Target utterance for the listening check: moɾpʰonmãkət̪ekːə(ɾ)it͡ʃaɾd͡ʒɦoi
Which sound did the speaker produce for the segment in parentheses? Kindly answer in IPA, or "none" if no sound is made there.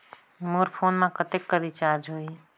ɾ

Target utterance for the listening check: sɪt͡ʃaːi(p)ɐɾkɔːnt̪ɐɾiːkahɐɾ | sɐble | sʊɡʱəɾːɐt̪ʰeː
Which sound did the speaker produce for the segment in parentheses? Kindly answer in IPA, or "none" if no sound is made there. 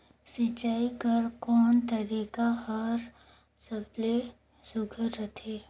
k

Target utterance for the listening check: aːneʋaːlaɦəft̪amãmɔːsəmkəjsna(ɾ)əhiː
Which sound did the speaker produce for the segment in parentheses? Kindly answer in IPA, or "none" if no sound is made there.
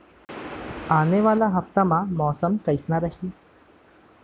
ɾ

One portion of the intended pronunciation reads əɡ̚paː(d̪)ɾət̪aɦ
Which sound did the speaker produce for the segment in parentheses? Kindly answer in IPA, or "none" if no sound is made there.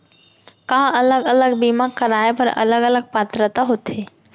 t̪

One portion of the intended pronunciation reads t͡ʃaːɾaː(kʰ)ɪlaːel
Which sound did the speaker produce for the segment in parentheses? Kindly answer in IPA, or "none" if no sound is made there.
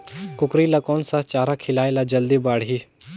kʰ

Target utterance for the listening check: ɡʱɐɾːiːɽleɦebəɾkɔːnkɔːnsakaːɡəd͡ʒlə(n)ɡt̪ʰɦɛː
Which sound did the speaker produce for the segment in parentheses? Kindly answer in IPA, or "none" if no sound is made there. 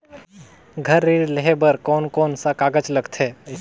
none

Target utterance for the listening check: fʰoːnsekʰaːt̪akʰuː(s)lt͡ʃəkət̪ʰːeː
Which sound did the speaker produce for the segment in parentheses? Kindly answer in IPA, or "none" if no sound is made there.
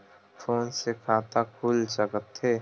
none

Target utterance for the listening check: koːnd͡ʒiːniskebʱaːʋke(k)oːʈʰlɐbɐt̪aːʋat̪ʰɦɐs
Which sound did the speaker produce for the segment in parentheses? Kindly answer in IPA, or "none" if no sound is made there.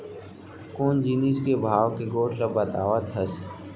ɡ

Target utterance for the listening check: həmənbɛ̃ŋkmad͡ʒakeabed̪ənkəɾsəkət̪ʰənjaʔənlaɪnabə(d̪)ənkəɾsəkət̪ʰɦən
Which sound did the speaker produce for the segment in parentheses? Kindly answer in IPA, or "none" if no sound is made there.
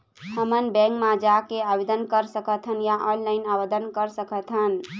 d̪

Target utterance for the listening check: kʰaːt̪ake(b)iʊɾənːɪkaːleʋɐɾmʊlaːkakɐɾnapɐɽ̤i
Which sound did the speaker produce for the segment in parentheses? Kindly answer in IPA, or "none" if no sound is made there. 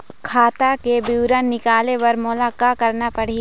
b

